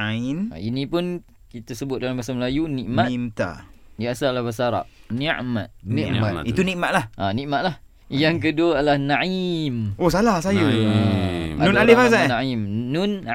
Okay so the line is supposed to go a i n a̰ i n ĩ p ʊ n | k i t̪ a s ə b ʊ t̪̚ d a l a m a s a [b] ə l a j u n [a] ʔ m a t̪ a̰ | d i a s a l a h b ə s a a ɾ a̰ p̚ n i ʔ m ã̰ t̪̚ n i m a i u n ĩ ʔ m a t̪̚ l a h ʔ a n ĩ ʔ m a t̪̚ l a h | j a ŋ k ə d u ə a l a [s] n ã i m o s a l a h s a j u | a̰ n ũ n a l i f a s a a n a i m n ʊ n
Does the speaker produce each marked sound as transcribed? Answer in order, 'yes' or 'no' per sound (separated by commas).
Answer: no, no, no